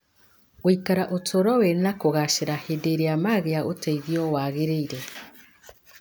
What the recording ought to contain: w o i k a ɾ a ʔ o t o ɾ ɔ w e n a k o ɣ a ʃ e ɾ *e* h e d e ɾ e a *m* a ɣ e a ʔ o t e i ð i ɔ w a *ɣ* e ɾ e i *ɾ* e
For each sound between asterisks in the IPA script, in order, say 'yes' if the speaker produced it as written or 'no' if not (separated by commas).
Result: no, yes, yes, yes